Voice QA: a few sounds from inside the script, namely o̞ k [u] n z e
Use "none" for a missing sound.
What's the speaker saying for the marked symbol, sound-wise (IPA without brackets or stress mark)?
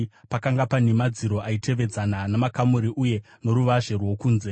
uː